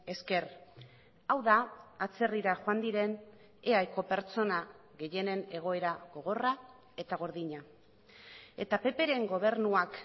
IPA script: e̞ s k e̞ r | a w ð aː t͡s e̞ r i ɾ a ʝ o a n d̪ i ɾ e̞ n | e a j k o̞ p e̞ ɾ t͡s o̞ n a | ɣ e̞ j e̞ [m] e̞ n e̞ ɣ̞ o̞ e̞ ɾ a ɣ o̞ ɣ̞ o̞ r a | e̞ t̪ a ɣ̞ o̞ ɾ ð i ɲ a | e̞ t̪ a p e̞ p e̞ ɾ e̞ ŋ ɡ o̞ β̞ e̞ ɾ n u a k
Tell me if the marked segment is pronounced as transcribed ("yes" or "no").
no